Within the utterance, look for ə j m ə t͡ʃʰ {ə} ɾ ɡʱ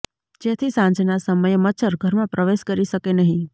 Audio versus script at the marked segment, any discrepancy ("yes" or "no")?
no